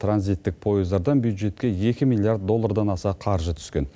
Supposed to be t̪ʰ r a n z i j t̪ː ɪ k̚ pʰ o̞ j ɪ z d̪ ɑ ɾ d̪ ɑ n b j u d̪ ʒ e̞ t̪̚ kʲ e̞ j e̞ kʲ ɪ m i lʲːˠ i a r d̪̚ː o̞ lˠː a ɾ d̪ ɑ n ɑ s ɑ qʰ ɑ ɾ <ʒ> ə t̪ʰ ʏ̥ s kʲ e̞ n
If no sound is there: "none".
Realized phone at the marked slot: ʒ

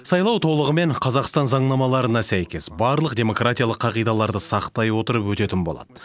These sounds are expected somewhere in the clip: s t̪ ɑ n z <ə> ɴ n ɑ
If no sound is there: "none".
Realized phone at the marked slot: ɑ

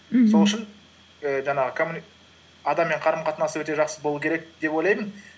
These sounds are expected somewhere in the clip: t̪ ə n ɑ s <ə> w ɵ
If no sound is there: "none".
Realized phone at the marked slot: ə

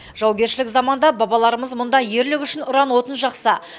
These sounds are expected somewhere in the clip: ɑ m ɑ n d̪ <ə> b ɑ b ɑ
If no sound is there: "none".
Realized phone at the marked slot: ɑ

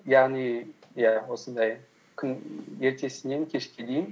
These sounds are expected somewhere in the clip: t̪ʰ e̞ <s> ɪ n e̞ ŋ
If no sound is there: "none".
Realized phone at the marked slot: s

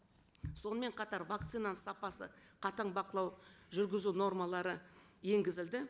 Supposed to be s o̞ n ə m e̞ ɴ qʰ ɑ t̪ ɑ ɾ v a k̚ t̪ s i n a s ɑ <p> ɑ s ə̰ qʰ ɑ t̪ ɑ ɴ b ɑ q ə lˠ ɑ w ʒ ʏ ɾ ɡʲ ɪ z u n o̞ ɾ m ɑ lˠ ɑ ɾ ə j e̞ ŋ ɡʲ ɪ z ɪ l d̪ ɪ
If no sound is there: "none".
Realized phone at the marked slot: p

